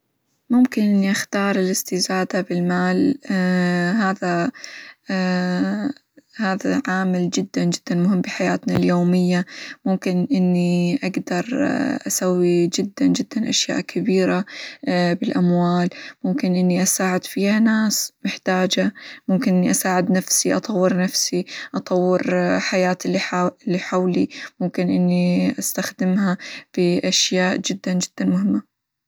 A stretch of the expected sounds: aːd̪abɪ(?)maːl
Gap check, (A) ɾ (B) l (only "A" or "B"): B